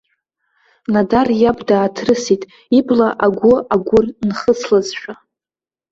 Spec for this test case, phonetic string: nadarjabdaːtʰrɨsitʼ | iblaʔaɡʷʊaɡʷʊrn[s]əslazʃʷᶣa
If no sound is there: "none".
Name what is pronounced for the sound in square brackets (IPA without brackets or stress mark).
χ